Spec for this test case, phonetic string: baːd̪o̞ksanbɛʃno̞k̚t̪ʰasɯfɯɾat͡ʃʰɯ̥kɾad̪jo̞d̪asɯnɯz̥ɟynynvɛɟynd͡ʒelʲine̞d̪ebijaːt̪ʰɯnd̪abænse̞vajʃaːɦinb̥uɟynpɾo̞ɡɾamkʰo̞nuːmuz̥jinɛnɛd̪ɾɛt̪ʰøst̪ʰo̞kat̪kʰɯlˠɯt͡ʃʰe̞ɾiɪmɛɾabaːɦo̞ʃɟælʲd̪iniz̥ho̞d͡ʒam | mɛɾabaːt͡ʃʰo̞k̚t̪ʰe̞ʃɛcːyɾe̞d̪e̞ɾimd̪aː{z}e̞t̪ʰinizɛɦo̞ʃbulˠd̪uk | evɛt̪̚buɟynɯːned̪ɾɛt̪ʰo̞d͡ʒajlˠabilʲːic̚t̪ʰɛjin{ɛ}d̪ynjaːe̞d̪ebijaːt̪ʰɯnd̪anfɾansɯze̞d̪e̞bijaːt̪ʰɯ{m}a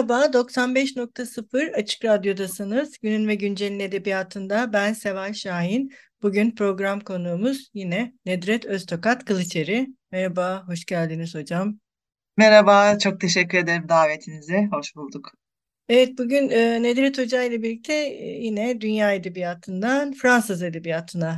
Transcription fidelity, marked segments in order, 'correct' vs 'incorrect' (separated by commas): incorrect, correct, incorrect